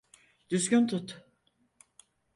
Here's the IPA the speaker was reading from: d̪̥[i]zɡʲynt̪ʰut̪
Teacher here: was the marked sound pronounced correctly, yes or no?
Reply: no